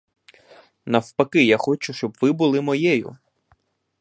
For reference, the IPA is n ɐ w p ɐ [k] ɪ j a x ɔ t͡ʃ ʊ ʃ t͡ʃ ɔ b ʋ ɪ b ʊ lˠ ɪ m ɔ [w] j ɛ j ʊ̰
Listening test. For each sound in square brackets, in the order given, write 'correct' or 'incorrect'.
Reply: correct, incorrect: none

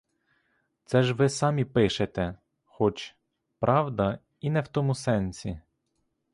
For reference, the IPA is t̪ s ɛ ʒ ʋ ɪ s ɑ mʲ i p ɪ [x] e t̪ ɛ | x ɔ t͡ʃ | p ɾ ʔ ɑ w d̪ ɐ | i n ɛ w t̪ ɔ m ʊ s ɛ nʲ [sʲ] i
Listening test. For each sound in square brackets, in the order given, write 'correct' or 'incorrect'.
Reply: incorrect: ʃ, correct

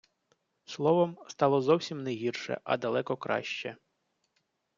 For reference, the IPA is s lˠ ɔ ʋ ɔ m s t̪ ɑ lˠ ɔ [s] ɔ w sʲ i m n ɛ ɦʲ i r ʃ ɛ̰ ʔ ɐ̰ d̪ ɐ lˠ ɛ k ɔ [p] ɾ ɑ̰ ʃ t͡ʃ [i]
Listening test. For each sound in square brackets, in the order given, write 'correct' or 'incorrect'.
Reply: incorrect: z, incorrect: k, incorrect: ɛ

